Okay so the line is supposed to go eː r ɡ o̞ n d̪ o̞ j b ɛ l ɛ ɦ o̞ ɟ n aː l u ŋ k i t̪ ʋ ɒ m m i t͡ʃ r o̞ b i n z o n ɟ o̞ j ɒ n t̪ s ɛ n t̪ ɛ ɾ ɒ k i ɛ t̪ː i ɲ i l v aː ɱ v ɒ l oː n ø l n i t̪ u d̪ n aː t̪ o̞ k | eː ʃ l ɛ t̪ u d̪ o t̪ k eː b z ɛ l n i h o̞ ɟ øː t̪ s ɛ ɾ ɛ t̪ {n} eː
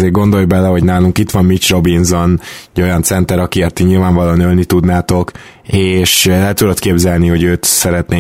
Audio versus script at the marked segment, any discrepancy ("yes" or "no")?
no